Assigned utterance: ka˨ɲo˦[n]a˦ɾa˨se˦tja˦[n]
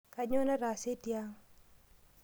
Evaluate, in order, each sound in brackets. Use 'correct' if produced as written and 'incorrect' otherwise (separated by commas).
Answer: correct, incorrect